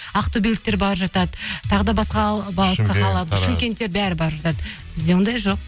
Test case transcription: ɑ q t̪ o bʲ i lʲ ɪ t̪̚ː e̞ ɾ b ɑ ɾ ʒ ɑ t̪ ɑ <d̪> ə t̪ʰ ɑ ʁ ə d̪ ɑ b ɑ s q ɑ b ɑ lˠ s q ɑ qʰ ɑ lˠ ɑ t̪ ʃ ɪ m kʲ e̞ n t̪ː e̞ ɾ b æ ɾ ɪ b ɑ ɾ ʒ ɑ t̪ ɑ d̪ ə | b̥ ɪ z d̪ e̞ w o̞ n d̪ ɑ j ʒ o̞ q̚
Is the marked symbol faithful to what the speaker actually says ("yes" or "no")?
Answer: yes